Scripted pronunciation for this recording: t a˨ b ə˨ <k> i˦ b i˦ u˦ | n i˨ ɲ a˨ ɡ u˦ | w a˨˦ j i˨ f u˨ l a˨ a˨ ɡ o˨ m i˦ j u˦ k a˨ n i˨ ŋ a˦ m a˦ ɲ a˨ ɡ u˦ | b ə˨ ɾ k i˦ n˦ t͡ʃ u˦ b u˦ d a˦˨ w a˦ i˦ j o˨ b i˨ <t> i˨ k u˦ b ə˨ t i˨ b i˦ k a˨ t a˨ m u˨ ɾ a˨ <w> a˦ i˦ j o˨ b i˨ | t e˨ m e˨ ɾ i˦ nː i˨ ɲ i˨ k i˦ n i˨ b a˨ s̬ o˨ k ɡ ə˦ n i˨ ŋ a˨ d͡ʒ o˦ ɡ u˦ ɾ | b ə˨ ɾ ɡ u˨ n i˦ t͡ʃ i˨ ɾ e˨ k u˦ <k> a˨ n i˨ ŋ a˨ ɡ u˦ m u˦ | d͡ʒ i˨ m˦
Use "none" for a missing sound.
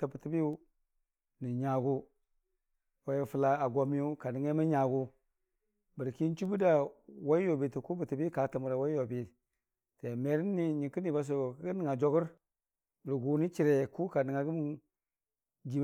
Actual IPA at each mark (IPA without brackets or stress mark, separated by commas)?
t, t, w, k